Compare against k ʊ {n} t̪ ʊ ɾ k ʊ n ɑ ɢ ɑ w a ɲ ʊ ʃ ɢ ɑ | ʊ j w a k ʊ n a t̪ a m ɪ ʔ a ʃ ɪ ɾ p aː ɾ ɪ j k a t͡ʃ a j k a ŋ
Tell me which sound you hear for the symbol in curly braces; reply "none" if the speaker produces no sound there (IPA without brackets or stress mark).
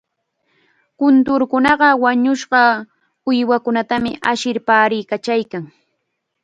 n